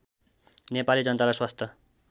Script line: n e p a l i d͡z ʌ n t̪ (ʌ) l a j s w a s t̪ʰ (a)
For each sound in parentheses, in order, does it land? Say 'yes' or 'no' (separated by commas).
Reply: no, no